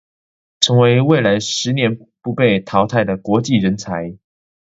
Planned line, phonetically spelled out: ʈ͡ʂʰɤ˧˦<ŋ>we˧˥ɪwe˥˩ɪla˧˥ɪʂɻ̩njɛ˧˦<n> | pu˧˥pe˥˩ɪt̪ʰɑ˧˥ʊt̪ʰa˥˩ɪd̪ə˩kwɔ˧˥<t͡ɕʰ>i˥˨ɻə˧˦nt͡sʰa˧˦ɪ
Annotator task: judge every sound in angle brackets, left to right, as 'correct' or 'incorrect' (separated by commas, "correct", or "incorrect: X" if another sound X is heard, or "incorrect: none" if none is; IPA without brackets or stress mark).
correct, correct, incorrect: t͡ɕ